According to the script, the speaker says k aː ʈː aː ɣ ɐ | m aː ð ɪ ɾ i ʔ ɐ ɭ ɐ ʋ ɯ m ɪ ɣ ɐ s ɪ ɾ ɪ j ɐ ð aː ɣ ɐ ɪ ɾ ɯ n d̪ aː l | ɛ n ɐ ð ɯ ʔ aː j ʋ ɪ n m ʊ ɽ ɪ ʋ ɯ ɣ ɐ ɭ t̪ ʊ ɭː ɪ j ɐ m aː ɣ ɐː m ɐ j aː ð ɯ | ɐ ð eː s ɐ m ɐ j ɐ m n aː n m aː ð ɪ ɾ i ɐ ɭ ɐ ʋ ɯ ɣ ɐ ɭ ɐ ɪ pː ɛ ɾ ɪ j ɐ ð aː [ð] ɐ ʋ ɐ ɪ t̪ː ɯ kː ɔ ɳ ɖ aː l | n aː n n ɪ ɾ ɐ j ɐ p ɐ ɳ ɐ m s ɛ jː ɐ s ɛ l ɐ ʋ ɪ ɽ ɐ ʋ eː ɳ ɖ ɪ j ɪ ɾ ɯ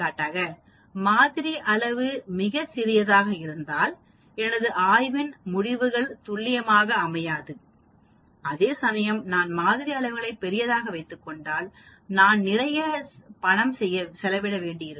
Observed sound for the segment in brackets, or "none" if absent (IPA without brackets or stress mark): ɣ